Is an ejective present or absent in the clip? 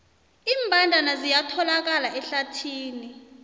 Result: absent